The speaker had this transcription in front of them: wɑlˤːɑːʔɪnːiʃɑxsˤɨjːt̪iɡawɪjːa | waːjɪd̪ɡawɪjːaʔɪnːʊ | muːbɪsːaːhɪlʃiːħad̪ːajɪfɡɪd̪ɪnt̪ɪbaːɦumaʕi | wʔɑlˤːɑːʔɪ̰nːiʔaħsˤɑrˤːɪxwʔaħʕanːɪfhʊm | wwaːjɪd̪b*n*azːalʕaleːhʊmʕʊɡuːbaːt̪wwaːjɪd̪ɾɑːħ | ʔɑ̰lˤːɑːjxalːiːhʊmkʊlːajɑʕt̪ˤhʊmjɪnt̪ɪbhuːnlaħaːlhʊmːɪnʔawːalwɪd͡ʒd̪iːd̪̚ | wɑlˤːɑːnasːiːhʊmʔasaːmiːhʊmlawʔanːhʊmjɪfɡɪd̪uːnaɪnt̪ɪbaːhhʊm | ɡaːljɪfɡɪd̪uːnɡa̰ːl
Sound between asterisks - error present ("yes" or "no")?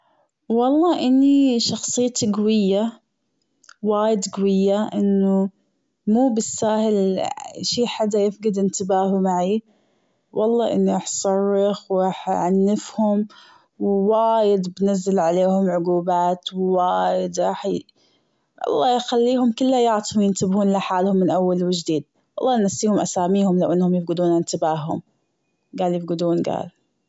no